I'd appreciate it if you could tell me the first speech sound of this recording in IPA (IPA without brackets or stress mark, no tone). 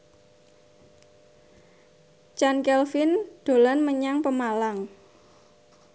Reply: t͡ʃ